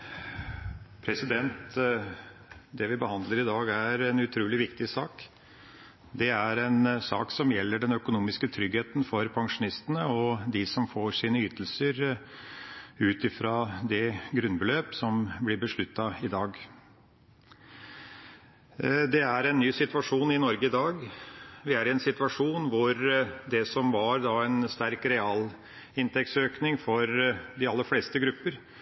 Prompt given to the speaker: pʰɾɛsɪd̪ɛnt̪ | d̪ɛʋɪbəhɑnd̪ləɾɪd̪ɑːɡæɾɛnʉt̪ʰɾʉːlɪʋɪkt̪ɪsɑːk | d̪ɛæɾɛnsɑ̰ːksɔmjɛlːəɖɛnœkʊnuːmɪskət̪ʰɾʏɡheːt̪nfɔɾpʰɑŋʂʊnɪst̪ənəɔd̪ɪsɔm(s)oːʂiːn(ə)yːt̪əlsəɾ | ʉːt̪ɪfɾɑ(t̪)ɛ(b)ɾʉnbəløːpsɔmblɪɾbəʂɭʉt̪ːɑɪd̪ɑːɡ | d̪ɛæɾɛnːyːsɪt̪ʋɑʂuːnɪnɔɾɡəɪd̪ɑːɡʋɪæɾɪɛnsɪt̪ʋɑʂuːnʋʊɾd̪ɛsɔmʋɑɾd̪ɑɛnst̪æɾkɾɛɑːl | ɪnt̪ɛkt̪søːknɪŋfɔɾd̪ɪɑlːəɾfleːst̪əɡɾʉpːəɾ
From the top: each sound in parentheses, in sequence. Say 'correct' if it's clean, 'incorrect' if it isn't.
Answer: incorrect: f, correct, incorrect: d̪, incorrect: ɡ

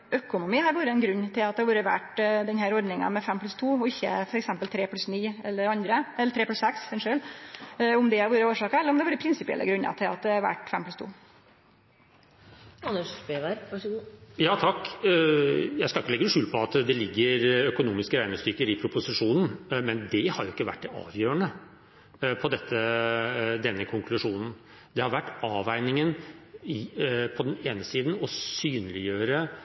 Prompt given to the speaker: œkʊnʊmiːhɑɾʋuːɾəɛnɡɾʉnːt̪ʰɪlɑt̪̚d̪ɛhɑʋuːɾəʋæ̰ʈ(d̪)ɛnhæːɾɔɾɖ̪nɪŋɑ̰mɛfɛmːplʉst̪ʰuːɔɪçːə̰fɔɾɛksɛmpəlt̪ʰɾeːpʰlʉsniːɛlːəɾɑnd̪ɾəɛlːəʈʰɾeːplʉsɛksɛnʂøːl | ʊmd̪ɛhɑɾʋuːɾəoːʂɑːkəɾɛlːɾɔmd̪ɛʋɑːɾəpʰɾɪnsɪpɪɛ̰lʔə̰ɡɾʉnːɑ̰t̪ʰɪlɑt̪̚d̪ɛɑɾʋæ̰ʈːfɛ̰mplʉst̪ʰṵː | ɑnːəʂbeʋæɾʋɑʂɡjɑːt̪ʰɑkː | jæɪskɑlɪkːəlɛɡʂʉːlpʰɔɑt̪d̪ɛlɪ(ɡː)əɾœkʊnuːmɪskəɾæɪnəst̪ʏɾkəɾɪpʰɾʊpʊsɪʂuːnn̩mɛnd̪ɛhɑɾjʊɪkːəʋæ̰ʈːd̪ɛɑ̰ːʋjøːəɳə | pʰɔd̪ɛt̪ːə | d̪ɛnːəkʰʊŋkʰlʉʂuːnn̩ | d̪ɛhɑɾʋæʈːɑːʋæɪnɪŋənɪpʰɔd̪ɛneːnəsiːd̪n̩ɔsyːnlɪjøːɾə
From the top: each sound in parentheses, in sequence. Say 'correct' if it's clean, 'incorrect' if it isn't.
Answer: correct, correct

